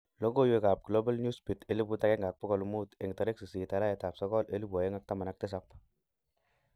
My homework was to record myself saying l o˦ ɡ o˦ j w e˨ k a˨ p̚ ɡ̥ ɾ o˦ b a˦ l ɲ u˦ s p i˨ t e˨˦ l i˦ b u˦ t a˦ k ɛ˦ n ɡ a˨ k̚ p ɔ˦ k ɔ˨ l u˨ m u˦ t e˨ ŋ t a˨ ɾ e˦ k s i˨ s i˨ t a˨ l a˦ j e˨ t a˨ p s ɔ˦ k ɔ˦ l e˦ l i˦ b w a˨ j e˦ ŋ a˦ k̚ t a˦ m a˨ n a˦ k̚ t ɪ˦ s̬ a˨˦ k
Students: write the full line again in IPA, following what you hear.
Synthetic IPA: l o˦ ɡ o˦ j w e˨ k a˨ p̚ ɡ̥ l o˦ b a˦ l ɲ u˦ s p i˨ t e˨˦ l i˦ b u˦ t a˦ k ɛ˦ ŋ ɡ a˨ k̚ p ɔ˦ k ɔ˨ l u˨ m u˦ t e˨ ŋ t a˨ ɾ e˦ k s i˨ s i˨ t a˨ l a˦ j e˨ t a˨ p s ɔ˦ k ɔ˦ l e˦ l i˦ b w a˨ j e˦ ŋ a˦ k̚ t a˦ m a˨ n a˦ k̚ t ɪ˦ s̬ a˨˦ p